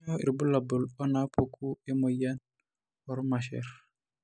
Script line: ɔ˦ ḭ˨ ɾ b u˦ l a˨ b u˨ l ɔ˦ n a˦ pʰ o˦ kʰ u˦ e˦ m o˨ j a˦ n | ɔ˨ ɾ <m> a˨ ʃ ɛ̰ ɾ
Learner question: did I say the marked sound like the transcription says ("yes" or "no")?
yes